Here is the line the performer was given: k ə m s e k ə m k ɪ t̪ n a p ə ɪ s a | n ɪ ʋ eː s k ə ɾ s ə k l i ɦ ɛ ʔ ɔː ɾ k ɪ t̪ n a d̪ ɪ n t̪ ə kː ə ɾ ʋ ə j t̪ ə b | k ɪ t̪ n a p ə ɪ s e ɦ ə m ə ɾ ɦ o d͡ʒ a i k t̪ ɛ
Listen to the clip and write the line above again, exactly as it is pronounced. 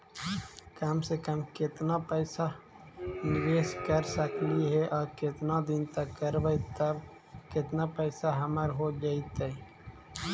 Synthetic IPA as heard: k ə m s e k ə m k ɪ t̪ n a p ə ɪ s a | n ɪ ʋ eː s k ə ɾ s ə k l i ɦ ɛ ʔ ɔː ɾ k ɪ t̪ n a d̪ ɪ n t̪ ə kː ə ɾ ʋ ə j t̪ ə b | k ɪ t̪ n a p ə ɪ s a ɦ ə m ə ɾ ɦ o d͡ʒ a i t̪ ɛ